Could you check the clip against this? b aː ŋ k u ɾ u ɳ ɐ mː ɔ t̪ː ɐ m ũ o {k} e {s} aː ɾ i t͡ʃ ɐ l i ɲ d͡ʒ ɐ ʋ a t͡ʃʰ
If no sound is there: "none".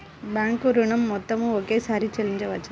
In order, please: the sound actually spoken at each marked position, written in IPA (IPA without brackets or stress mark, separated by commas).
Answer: k, s